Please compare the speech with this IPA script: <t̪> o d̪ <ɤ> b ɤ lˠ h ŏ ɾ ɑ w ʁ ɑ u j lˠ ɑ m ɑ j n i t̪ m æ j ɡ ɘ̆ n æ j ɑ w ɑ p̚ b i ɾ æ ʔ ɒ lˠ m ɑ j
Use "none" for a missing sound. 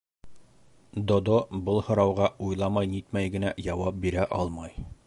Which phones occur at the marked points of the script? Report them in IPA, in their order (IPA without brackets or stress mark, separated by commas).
d̪, o